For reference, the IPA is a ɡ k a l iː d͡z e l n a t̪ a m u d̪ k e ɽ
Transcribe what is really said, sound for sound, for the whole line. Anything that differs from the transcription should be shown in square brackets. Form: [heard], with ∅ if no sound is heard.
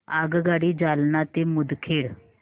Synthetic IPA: a ɡ [ɡ] a [ɽ] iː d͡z [a] l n a t̪ [e] m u d̪ [kʰ] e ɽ